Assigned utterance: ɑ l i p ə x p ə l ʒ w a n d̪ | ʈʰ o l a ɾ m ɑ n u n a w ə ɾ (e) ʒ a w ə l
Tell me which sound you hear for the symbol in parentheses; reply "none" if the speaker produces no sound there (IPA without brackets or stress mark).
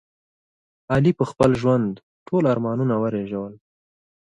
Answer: e